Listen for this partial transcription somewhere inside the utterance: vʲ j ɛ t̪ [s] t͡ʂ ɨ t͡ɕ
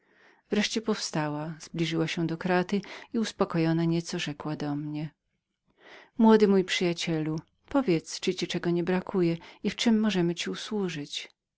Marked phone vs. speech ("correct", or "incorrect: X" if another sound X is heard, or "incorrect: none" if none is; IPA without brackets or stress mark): correct